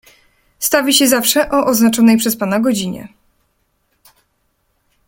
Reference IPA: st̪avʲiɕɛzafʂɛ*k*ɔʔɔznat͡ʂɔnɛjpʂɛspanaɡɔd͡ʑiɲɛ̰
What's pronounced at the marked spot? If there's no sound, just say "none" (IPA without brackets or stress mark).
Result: ʔ